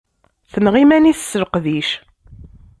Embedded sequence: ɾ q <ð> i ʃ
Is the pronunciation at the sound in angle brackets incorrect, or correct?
correct